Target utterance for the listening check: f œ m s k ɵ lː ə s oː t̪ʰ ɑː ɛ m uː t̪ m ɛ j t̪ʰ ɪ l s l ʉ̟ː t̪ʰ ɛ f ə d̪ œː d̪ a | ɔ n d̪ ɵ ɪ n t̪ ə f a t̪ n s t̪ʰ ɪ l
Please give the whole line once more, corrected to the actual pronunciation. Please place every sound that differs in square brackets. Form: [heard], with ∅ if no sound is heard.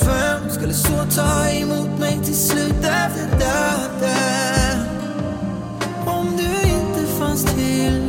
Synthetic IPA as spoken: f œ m s k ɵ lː ə s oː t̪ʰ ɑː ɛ m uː t̪ m ɛ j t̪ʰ ɪ l s l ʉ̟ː [t̪] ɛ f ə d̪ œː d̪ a | ɔ [m] d̪ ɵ ɪ n t̪ ə f a [∅] n s t̪ʰ ɪ l